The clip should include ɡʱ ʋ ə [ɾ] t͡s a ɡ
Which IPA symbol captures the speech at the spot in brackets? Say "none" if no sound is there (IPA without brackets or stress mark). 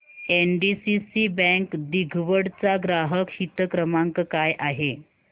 ɽ